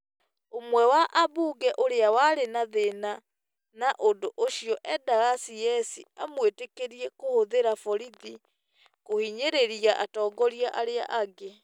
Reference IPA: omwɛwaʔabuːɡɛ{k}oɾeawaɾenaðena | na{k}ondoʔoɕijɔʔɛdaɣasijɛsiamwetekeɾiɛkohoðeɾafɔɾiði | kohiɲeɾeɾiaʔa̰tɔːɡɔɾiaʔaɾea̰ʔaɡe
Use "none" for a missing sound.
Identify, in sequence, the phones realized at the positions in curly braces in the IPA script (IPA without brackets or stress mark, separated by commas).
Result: ʔ, ʔ